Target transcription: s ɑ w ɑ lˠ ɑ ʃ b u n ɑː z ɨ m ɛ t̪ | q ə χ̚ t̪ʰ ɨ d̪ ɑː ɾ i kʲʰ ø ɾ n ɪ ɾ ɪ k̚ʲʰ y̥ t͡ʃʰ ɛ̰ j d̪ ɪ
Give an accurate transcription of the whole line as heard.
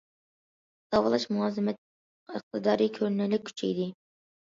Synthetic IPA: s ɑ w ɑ lˠ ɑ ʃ m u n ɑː z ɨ m ɛ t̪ | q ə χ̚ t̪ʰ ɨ d̪ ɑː ɾ i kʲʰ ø ɾ n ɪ l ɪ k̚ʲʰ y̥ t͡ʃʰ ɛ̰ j d̪ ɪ